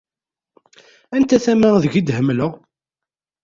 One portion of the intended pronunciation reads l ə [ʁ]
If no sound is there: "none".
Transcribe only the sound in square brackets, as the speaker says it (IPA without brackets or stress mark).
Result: ʁ